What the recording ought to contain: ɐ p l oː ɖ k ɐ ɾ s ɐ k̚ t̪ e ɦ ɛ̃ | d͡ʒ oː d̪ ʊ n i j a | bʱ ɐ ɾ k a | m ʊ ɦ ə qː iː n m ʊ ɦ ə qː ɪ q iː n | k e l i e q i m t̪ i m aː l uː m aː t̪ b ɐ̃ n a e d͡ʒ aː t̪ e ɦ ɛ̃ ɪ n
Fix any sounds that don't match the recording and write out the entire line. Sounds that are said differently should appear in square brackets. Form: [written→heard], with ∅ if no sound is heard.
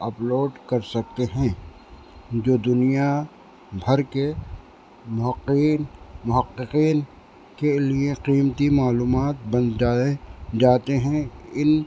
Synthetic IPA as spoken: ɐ p l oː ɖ k ɐ ɾ s ɐ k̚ t̪ e ɦ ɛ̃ | d͡ʒ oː d̪ ʊ n i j a | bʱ ɐ ɾ k [a→e] | m ʊ ɦ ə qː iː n m ʊ ɦ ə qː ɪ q iː n | k e l i e q [i→iː] m t̪ i m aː l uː m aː t̪ b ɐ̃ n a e d͡ʒ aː t̪ e ɦ ɛ̃ ɪ n